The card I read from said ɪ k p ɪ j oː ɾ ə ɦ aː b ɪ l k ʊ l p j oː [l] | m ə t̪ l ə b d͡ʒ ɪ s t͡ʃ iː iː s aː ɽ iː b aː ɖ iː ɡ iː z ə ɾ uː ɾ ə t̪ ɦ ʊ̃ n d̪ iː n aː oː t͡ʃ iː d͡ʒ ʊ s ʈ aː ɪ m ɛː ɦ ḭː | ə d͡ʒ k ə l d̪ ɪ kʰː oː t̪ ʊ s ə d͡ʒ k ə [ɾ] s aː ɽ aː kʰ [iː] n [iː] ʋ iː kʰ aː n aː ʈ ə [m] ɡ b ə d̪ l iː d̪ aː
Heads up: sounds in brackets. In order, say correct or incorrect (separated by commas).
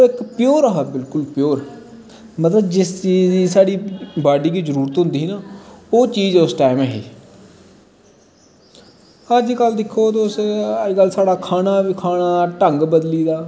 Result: incorrect, incorrect, incorrect, incorrect, incorrect